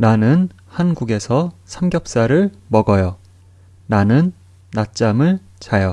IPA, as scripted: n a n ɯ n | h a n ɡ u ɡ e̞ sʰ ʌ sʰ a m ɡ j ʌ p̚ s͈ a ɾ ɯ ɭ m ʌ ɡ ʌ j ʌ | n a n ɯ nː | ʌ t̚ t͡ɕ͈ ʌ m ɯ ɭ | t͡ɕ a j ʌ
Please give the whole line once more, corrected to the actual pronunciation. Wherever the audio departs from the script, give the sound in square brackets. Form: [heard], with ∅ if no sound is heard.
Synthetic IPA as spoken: n a n ɯ n | h a n ɡ u ɡ e̞ sʰ ʌ sʰ a m ɡ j ʌ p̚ s͈ a ɾ ɯ ɭ m ʌ ɡ ʌ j ʌ | n a n ɯ nː | [a] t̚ t͡ɕ͈ [a] m ɯ ɭ | t͡ɕ a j ʌ